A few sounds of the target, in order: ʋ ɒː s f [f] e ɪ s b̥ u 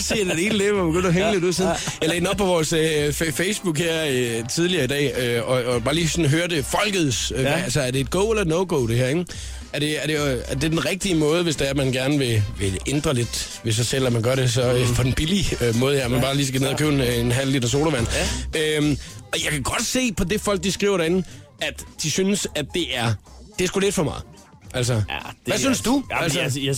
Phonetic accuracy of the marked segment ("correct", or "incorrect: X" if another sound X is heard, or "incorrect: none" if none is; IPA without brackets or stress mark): correct